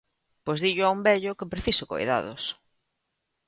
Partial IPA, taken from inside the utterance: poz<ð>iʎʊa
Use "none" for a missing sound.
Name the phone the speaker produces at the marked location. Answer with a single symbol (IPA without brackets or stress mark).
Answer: ð